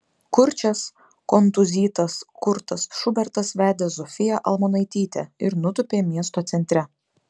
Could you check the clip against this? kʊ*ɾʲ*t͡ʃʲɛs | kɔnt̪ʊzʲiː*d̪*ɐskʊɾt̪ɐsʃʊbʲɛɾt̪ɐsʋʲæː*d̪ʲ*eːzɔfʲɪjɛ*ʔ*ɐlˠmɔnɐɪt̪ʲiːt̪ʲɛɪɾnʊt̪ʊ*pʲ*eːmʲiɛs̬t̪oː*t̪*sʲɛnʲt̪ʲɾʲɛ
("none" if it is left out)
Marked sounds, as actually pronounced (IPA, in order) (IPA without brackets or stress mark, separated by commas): ɾʲ, t̪, d̪ʲ, ʔ, pʲ, t̪